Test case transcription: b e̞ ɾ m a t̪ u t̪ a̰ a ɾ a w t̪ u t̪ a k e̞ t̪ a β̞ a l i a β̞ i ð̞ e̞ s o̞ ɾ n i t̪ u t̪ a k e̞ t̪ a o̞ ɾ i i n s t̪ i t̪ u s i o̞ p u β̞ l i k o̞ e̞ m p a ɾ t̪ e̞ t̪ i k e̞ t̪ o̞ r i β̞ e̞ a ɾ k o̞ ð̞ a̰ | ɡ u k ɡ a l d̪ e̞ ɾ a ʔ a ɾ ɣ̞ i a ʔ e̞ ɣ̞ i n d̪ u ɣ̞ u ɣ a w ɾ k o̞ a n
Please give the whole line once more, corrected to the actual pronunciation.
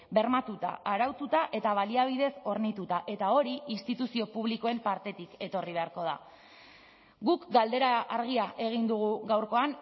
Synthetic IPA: b e̞ ɾ m a t̪ u t̪ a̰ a ɾ a w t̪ u t̪ a ʔ e̞ t̪ a β̞ a l i a β̞ i ð̞ e̞ s o̞ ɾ n i t̪ u t̪ a ʔ e̞ t̪ a o̞ ɾ i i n s t̪ i t̪ u s i o̞ p u β̞ l i k o̞ e̞ m p a ɾ t̪ e̞ t̪ i k e̞ t̪ o̞ r i β̞ e̞ a ɾ k o̞ ð̞ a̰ | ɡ u k ɡ a l d̪ e̞ ɾ a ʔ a ɾ ɣ̞ i a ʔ e̞ ɣ̞ i n d̪ u ɣ̞ u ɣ a w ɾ k o̞ a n